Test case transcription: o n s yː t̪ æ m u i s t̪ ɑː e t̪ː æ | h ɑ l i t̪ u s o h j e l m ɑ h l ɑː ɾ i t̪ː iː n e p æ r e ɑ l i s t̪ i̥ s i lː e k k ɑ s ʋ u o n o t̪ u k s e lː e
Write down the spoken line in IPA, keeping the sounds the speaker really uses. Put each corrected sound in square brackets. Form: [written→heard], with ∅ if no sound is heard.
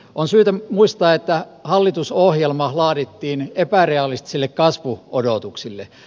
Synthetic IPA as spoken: o n s yː t̪ æ m u i s t̪ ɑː e t̪ː æ | h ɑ [l→lː] i t̪ u s o h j e l m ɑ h l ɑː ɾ i t̪ː iː n e p æ r e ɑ l i s t̪ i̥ s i lː e k k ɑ s ʋ u o [n→d] o t̪ u k s [e→i] lː e